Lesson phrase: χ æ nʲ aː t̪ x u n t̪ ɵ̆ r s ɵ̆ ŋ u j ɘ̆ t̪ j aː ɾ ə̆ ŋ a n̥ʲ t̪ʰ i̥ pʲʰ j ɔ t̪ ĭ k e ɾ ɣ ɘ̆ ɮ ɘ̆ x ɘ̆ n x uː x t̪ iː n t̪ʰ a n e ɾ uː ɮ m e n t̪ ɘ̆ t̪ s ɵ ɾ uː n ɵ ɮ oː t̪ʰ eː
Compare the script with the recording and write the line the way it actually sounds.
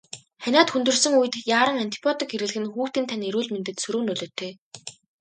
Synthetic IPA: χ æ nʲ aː t̪ x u n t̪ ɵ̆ r s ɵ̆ ŋ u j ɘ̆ t̪ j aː ɾ ə̆ ŋ a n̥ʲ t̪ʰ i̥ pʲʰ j ɔ t̪ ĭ k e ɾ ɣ ɘ̆ ɮ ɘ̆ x ɘ̆ n x uː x t̪ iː n t̪ʰ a n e ɾ uː ɮ m e n t̪ ɘ̆ t̪ s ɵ ɾ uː n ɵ ɮ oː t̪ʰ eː

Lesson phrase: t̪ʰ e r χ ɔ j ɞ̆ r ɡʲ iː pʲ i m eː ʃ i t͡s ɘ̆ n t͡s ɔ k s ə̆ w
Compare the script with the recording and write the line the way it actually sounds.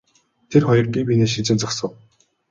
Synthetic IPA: t̪ʰ e r χ ɔ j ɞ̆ r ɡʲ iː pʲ i n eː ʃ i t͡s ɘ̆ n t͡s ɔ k s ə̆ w

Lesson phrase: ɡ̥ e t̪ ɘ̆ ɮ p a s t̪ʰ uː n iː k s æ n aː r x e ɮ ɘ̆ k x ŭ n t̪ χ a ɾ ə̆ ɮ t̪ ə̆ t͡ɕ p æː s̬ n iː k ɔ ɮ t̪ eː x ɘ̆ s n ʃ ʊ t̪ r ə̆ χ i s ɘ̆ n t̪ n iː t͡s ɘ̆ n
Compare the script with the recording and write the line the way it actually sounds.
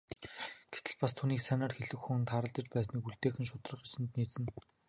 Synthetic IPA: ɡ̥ e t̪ ɘ̆ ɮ p a s t̪ʰ uː n iː k s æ n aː r x e ɮ ɘ̆ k x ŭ n t̪ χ a ɾ ə̆ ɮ t̪ ə̆ t͡ɕ p æː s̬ n iː k u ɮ t̪ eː x ɘ̆ n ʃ ʊ t̪ r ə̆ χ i s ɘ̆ n t̪ n iː t͡s ɘ̆ n

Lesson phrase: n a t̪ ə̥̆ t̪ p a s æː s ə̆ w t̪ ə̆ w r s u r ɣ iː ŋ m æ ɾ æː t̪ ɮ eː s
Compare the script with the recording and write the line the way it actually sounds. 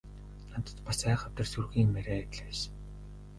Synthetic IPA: n a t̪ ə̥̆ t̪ p a s æː χ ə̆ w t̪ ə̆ r s u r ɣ iː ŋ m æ ɾ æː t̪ ɮ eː s

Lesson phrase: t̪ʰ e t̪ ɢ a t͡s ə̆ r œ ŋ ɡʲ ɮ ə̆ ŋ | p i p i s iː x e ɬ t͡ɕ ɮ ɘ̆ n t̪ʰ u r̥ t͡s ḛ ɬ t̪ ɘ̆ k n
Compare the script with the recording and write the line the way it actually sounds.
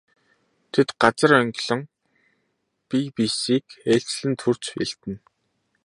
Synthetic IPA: t̪ʰ e t̪ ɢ a t͡s ə̆ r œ ŋ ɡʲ ɮ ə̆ ŋ | p i p i s iː k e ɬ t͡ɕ ɮ ɘ̆ n t̪ʰ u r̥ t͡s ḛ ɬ t̪ ɘ̆ n

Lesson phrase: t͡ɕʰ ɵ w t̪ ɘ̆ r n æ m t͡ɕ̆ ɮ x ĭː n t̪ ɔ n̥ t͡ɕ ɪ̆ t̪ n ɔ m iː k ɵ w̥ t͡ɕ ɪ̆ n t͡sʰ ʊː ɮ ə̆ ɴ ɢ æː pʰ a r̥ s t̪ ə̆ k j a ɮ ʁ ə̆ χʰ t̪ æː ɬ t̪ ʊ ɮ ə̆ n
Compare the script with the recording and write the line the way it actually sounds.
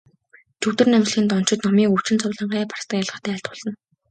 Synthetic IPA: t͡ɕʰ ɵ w t̪ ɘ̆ r n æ m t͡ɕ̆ ɮ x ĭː n t̪ ɔ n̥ t͡ɕ ɪ̆ t̪ n ɔ m iː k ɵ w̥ t͡ɕ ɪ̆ n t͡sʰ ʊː ɮ ə̆ ɴ ɢ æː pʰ a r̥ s t̪ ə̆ k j a ɮ ʁ ə̆ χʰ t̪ æː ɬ t̪ ʊ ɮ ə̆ n

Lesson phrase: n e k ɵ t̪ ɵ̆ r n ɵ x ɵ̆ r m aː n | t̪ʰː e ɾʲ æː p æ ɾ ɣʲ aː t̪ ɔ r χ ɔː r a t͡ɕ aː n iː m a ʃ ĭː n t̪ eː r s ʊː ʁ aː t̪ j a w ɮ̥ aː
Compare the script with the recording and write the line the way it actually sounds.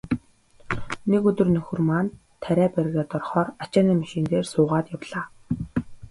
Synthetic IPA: n e k ɵ t̪ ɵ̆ r n ɵ x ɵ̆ r m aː n | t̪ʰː æ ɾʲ æː p æ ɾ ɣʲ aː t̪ ɔ r χ ɔː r a t͡ɕ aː n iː m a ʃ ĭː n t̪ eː r s ʊː ʁ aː t̪ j a w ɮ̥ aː

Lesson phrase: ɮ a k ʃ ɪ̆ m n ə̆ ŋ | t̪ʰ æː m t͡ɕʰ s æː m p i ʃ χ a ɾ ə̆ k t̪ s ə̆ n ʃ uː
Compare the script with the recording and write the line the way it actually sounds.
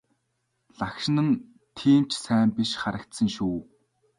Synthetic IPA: ɮ a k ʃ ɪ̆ n ə̆ n | t̪ʰ iː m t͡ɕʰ s æː m p i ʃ χ a ɾ ə̆ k t̪ s ə̆ ŋ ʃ uː

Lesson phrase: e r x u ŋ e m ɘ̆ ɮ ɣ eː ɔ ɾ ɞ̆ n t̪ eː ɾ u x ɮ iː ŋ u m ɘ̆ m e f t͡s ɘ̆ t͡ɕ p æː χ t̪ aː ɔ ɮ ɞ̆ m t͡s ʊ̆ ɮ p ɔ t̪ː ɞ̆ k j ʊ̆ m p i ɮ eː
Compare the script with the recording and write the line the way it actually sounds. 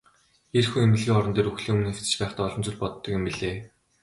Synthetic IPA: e r x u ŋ e m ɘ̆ ɮ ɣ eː ɔ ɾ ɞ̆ n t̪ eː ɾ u x ɮ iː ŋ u m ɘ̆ n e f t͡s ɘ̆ t͡ɕ p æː χ t̪ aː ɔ ɮ ɞ̆ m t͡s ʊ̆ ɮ p ɔ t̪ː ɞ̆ k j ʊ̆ m p i ɮ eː

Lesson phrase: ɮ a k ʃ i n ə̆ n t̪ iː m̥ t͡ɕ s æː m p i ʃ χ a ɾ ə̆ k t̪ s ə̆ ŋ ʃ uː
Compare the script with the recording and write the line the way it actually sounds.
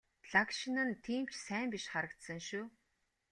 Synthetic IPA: ɮ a k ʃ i n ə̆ n t̪ʰ iː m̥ t͡ɕ s æː m p i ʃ χ a ɾ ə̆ k t̪ s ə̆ ŋ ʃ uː

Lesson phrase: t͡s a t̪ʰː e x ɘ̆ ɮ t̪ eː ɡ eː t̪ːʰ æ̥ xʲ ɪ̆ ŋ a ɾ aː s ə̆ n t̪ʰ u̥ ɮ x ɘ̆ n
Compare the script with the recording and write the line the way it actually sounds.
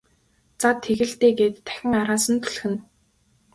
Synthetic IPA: t͡s a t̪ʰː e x ɘ̆ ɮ t̪ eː ɡ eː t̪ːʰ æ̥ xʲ ɪ̆ ŋ a ɾ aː s ə̆ n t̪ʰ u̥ ɮ x ɘ̆ n

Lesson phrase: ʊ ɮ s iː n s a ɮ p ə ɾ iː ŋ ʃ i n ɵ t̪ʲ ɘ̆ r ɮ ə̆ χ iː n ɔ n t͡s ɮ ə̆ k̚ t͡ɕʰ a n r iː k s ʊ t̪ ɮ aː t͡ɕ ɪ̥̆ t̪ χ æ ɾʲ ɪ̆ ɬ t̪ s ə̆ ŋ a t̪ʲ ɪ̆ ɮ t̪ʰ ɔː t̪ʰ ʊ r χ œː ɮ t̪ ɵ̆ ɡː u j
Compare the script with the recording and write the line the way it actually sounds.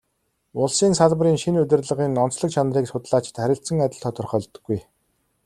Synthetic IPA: ʊ ɮ s iː n s a ɮ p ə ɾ iː ŋ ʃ i n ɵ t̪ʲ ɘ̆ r ɮ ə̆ ʁ iː n ɔ n t͡s ɮ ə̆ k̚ t͡ɕʰ a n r iː k s ʊ t̪ ɮ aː t͡ɕ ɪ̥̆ t̪ χ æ ɾʲ ɪ̆ ɬ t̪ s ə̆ ŋ a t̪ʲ ɪ̆ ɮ t̪ʰ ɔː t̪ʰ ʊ r χ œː ɮ t̪ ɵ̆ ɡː u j

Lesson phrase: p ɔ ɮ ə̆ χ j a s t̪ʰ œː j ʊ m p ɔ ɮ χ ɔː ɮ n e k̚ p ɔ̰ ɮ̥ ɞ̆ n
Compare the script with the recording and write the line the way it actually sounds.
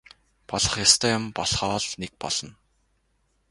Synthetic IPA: p ɔ ɮ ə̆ χ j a s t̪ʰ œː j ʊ m p ɔ ɮ χ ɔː ɮ n e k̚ p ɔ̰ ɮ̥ ɞ̆ n

